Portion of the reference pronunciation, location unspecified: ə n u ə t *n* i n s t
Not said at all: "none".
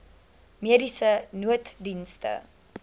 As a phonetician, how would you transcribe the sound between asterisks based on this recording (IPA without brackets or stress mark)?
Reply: d